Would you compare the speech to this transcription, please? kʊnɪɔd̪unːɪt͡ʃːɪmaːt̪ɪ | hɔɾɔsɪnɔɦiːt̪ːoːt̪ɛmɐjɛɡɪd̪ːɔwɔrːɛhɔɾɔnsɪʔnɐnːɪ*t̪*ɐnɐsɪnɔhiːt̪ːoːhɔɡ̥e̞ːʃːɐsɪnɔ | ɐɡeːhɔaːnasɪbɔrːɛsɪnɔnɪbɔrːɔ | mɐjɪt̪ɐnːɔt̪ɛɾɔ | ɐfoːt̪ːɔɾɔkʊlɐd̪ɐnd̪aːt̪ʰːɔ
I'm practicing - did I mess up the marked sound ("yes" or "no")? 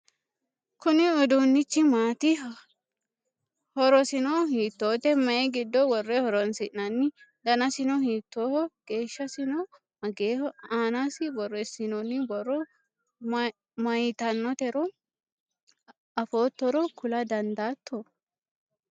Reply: yes